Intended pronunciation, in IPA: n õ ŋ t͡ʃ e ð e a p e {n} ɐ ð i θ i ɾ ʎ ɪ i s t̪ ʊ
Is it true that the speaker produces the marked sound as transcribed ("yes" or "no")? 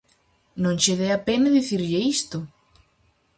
yes